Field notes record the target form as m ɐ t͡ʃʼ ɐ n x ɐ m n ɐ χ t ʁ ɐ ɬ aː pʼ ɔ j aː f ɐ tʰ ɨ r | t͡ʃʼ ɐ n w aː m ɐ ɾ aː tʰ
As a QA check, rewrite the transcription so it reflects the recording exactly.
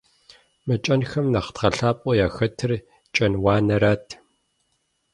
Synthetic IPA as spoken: m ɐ t͡ʃʼ ɐ n x ɐ m n ɐ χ t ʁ ɐ ɬ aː pʼ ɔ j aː x ɐ tʰ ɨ r | t͡ʃʼ ɐ n w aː n ɐ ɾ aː tʰ